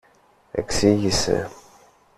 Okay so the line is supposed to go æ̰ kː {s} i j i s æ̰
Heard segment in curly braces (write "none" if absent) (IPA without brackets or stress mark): s